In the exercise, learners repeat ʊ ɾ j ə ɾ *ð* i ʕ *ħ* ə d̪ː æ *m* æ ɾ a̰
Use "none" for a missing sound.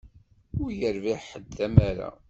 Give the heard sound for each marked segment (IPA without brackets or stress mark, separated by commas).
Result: v, ħ, m